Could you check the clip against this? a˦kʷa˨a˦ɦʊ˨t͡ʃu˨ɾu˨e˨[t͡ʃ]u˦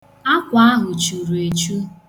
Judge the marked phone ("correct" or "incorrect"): correct